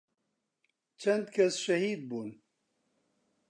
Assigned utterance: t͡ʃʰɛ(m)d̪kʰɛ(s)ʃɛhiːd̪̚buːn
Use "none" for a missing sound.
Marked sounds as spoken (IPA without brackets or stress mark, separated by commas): n, s